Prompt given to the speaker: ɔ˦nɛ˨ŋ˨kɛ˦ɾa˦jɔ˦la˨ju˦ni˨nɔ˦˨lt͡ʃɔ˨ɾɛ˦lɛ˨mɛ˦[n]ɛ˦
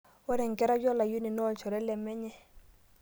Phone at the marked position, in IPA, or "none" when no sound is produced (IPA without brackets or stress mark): ɲ